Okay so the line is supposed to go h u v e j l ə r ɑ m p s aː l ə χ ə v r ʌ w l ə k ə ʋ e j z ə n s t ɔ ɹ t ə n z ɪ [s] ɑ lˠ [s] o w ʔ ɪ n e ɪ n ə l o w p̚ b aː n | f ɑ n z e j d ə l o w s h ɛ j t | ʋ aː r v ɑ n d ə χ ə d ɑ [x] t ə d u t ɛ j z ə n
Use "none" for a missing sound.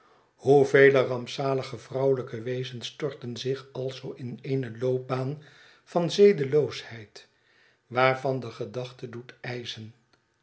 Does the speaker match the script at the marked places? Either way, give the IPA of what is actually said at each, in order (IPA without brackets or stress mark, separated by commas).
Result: χ, z, χ